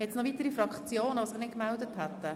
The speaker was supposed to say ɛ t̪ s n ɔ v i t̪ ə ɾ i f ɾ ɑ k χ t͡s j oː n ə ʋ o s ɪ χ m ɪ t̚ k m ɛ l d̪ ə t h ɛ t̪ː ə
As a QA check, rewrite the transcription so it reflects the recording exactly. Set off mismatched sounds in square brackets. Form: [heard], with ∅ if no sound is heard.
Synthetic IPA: ɛ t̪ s n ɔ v i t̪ ə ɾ i f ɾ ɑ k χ t͡s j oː n ə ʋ o s ɪ χ [n] ɪ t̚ k m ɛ l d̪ ə t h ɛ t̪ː ə